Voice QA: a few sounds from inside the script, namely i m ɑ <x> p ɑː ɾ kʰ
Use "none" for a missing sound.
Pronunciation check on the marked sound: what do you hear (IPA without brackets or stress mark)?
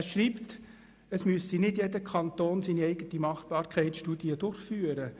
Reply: χ